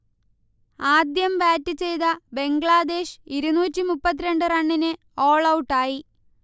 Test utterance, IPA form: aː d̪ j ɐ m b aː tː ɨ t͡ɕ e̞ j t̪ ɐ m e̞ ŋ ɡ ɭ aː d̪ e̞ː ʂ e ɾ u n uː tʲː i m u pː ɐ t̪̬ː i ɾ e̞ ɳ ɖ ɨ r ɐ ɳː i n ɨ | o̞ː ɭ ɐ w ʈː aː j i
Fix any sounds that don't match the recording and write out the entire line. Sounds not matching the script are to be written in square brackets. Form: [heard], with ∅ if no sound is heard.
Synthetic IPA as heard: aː d̪ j ɐ m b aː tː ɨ t͡ɕ e̞ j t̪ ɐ [b] e̞ ŋ ɡ ɭ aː d̪ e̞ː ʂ [i] ɾ u n uː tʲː i m u pː ɐ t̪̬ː i ɾ e̞ ɳ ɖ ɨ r ɐ ɳː i n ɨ | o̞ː ɭ ɐ w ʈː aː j i